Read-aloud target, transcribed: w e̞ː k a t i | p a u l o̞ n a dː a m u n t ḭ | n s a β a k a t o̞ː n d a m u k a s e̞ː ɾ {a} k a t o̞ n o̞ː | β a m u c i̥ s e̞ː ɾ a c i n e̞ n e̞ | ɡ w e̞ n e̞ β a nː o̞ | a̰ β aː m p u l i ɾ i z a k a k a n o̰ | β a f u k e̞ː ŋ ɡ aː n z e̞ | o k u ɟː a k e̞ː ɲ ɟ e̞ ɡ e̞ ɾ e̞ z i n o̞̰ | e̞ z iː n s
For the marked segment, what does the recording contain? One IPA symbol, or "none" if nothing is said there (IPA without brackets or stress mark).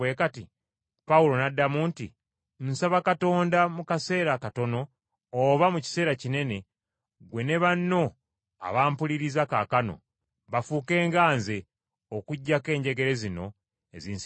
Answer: a